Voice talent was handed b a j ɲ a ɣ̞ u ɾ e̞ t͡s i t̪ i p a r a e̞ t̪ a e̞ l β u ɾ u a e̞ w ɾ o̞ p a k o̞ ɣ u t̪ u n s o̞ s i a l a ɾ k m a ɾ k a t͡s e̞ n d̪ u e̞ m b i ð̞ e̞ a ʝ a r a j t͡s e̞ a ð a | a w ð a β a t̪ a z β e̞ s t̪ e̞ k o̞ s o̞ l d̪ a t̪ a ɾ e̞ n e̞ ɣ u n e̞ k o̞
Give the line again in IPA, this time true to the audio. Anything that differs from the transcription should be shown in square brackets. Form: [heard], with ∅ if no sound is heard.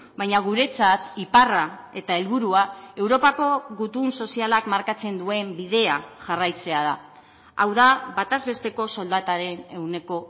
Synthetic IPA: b a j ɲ a ɣ̞ u ɾ e̞ t͡s [a] t̪ i p a r a e̞ t̪ a e̞ l β u ɾ u a e̞ w ɾ o̞ p a k o̞ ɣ u t̪ u n s o̞ s i a l a [∅] k m a ɾ k a t͡s e̞ n d̪ u e̞ m b i ð̞ e̞ a ʝ a r a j t͡s e̞ a ð a | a w ð a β a t̪ a z β e̞ s t̪ e̞ k o̞ s o̞ l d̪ a t̪ a ɾ e̞ n e̞ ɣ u n e̞ k o̞